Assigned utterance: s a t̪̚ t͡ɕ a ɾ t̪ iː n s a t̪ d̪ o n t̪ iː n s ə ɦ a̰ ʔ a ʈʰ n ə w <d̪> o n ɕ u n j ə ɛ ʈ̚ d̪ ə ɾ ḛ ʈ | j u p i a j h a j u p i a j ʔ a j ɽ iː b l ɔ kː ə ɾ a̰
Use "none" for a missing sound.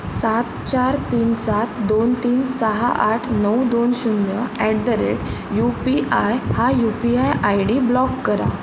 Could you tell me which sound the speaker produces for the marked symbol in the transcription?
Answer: d̪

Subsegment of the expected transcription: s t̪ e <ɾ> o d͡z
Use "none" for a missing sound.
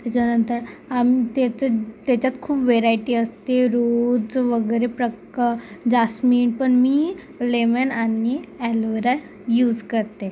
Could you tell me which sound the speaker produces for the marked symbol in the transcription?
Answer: ɾ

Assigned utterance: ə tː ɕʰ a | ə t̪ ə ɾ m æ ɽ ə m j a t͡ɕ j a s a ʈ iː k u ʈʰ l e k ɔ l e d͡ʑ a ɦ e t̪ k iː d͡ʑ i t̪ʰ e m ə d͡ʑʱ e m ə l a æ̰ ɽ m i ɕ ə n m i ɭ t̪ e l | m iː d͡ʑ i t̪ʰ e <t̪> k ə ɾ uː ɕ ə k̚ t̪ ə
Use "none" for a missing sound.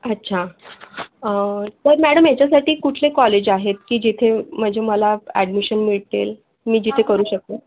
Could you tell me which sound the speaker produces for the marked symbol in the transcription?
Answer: none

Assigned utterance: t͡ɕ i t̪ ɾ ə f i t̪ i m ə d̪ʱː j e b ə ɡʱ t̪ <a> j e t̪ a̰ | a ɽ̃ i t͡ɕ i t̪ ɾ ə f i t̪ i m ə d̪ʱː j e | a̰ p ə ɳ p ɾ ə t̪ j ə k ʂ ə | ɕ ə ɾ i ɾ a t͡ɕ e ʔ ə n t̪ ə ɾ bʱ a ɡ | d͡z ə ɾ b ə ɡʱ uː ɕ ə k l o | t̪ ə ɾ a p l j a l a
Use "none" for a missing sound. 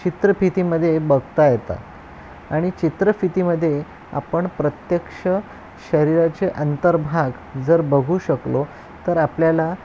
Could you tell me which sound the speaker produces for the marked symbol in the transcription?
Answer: a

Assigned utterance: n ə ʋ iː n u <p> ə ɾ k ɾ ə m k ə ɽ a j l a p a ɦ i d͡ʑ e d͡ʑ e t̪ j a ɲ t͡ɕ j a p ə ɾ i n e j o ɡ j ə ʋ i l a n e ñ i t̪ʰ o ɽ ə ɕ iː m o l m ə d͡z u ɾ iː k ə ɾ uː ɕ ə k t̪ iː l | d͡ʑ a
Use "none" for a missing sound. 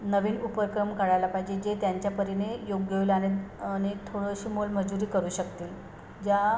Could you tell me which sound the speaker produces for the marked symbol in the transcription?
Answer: p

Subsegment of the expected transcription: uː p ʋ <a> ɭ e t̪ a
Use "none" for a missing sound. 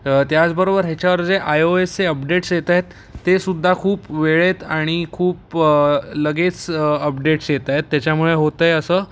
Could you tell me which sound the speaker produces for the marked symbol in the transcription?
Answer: e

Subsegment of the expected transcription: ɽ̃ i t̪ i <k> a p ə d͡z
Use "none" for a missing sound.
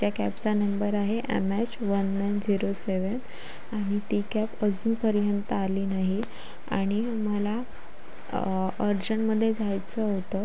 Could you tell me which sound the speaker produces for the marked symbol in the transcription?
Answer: k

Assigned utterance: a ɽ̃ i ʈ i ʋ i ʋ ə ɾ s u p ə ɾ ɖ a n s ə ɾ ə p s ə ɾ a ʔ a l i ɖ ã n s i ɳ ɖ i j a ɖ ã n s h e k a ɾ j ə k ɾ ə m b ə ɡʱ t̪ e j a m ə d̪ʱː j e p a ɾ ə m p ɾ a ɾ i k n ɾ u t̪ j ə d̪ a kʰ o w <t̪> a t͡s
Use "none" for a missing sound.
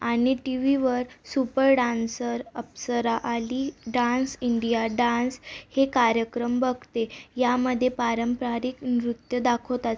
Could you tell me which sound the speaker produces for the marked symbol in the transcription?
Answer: t̪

